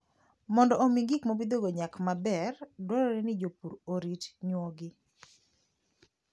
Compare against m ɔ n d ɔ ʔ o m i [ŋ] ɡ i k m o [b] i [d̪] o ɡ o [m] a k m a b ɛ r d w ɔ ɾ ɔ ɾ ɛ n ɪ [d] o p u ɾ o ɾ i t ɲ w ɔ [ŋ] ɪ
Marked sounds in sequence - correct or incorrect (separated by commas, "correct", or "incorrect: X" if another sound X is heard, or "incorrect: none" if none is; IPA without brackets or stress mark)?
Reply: correct, correct, correct, incorrect: ɲ, incorrect: d͡ʒ, incorrect: ɡ